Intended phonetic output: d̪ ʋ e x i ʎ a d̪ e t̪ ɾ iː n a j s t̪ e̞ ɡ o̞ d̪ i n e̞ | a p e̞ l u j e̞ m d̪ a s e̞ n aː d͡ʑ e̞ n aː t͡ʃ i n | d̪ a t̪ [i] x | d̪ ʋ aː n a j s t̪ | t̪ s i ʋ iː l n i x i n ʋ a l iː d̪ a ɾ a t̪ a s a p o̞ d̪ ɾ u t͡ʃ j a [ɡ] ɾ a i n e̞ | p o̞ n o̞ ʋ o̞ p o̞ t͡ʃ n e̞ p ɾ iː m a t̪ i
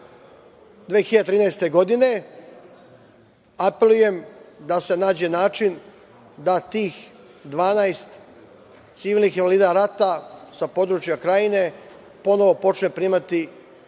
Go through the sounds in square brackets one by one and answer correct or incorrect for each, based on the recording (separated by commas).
incorrect, incorrect